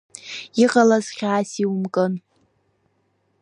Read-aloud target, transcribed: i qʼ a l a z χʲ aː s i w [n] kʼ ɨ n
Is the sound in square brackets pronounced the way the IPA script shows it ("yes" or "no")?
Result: no